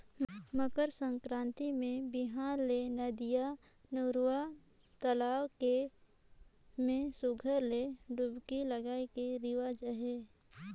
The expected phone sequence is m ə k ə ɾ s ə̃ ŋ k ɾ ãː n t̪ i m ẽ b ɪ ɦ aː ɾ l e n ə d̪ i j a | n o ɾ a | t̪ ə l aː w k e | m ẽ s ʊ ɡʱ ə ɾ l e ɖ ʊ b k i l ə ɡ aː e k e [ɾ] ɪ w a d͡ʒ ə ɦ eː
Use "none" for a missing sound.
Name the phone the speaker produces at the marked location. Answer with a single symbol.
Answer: ɾ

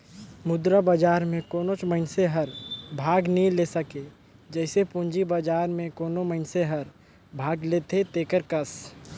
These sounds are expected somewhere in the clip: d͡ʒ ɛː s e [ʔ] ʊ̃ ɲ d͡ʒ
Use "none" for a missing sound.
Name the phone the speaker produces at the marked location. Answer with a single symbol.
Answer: p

